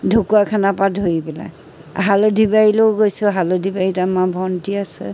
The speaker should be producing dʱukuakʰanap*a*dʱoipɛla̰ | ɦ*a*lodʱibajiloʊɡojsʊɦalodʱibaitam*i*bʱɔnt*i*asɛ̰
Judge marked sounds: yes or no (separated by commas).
yes, yes, no, yes